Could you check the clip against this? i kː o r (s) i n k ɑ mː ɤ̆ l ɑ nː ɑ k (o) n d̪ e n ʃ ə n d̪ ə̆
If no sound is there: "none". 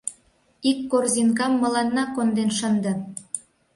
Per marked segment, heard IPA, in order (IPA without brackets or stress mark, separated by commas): z, o